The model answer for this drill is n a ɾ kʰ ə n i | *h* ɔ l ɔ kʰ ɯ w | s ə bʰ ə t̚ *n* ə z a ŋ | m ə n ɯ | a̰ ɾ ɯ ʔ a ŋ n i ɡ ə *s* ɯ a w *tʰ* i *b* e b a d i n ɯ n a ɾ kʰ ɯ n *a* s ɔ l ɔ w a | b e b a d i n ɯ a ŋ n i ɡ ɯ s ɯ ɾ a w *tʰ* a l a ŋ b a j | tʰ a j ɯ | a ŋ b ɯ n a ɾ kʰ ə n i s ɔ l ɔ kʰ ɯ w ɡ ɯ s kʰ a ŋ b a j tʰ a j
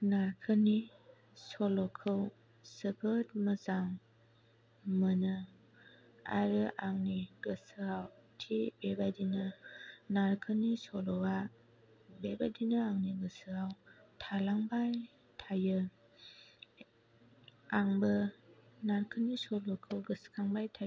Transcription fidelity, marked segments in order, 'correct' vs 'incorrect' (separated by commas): incorrect, incorrect, correct, correct, correct, incorrect, correct